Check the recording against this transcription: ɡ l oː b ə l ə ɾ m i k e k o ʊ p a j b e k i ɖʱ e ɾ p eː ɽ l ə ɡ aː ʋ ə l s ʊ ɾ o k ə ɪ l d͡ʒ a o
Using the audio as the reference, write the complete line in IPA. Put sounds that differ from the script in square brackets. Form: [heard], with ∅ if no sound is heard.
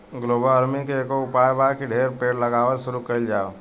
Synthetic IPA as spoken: ɡ l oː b ə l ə ɾ m i k e k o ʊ p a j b [a] k i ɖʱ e ɾ p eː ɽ l ə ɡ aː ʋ ə l s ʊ ɾ [u] k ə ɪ l d͡ʒ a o

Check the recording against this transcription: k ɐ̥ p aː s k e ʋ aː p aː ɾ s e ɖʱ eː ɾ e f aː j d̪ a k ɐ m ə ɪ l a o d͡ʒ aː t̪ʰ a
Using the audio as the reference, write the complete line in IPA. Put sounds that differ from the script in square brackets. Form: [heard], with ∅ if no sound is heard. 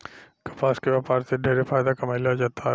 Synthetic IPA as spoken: k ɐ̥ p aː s k e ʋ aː p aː ɾ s e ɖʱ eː ɾ e f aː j d̪ a k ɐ m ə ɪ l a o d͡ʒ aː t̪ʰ a

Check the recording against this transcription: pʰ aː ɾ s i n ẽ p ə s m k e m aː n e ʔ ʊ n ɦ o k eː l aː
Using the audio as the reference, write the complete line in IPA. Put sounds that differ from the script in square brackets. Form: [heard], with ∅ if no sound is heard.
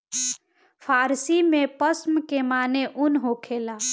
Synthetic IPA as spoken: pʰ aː ɾ s i [m] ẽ p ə s m k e m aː n e ʔ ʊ n ɦ o [kʰ] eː l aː

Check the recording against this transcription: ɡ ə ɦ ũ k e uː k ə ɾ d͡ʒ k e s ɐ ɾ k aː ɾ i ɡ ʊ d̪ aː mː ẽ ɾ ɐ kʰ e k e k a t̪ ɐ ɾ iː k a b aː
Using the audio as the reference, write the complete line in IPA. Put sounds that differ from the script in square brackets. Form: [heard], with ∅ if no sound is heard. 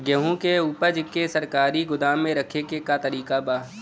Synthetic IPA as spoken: ɡ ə ɦ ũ k e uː [p] ə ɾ d͡ʒ k e s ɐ ɾ k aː ɾ i ɡ ʊ d̪ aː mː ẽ ɾ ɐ kʰ e k e k a t̪ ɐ ɾ iː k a b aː

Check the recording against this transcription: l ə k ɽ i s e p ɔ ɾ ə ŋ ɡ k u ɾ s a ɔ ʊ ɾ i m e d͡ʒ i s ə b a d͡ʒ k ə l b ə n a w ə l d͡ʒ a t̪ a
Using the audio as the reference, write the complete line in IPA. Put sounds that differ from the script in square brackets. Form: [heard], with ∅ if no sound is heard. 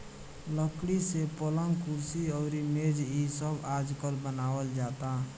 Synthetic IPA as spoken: l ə k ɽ i s e p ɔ [l] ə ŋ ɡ k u ɾ s [i] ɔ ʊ ɾ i m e d͡ʒ i s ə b a d͡ʒ k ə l b ə n a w ə l d͡ʒ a t̪ a

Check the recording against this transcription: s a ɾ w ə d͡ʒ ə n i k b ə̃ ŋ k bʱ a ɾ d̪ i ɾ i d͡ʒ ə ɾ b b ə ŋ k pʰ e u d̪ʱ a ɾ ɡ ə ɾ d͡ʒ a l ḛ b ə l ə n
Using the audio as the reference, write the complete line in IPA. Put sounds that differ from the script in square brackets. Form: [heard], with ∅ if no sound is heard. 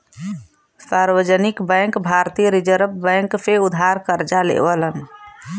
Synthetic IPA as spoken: s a ɾ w ə d͡ʒ ə n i k b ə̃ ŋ k bʱ a ɾ [t̪] i ɾ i d͡ʒ ə ɾ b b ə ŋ k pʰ e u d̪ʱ a ɾ [k] ə ɾ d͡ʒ a l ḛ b ə l ə n

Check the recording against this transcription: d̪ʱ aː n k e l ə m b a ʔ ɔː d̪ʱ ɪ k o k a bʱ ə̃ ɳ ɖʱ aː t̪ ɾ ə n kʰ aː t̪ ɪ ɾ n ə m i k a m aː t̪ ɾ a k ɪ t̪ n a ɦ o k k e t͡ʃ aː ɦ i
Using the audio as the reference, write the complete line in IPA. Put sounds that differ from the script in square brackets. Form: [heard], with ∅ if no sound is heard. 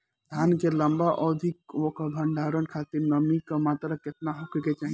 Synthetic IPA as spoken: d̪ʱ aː n k e l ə m b a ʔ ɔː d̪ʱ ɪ k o k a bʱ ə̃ ɳ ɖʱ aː [∅] ɾ ə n kʰ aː t̪ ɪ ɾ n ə m i k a m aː t̪ ɾ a k ɪ t̪ n a ɦ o k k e t͡ʃ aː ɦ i

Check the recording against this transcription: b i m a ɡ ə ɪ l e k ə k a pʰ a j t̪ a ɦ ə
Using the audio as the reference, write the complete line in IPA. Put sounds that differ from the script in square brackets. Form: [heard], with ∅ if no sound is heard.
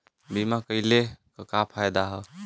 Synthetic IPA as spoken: b i m a [k] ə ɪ l e k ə k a pʰ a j [d̪] a ɦ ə

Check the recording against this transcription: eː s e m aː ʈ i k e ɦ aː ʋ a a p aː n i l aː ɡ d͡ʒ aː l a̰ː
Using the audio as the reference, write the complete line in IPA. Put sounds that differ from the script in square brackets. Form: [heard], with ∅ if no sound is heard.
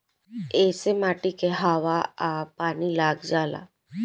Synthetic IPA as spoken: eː s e m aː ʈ i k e ɦ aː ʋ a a p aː n i l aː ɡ d͡ʒ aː l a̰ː

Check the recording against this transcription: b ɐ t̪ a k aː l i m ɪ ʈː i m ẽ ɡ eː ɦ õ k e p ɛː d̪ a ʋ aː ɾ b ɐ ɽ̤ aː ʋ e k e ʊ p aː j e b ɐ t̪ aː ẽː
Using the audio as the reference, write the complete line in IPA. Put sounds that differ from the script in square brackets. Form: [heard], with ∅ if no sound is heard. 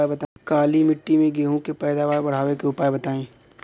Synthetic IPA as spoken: b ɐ t̪ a k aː l i m ɪ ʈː i m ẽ ɡ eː ɦ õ k e p ɛː d̪ a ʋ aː ɾ b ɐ ɽ̤ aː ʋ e k e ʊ p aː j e b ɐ t̪ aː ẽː

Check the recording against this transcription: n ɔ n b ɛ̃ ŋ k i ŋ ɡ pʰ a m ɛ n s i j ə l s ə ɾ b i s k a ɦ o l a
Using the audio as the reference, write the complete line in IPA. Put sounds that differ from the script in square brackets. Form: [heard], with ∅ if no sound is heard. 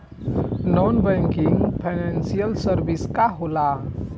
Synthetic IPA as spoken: n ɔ n b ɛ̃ ŋ k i ŋ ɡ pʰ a [n] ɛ n s i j ə l s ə ɾ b i s k a ɦ o l a

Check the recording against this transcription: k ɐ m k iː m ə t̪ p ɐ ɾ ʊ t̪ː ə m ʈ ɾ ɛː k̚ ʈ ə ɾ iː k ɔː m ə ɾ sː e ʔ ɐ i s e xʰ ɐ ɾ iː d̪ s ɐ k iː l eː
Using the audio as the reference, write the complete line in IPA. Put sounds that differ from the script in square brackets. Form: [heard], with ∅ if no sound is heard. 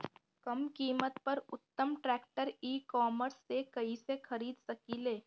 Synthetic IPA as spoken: k ɐ m k iː m ə t̪ p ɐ ɾ ʊ t̪ː ə m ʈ ɾ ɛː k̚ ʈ ə ɾ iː k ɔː m ə ɾ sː e [k] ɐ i s e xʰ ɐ ɾ iː d̪ s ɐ k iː l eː

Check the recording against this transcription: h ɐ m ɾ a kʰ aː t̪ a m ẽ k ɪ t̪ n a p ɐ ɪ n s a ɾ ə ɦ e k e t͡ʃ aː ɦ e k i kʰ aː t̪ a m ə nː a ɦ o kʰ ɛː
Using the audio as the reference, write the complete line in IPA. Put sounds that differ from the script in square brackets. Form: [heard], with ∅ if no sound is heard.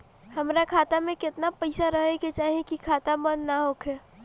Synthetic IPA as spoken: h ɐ m ɾ a kʰ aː t̪ a m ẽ k ɪ t̪ n a p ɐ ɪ [∅] s a ɾ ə ɦ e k e t͡ʃ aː ɦ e k i kʰ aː t̪ a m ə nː a ɦ o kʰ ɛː

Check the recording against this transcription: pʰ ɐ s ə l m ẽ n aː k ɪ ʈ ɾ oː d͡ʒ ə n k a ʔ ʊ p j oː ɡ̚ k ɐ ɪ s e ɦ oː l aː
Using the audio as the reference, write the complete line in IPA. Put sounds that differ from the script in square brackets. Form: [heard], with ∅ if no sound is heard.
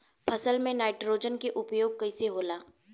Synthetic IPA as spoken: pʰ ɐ s ə l m ẽ n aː [∅] ɪ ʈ ɾ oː d͡ʒ ə n k [e] ʔ ʊ p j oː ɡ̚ k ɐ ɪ s e ɦ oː l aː

